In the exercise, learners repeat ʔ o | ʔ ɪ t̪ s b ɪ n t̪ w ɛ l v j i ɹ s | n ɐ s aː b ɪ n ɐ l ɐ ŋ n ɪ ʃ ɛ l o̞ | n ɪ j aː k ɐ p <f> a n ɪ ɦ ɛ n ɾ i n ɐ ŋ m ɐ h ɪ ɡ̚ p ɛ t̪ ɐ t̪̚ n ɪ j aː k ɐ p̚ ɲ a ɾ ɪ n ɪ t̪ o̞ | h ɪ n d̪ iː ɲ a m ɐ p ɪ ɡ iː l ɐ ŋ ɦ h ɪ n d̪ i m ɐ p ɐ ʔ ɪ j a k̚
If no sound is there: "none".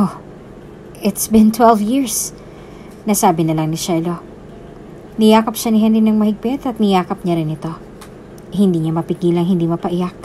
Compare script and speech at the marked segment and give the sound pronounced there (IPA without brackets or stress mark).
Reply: ʃ